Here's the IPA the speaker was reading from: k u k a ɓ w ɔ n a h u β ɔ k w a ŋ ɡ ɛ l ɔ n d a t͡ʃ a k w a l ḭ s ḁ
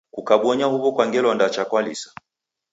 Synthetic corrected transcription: k u k a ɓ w ɔ ɲ a h u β ɔ k w a ŋ ɡ ɛ l ɔ n d a t͡ʃ a k w a l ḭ s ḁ